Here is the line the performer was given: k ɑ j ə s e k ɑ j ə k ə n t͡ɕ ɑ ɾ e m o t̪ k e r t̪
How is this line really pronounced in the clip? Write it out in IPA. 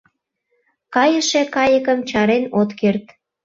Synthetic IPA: k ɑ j ə ʃ e k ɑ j ə k ə m t͡ɕ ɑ ɾ e n o t̪ k e r t̪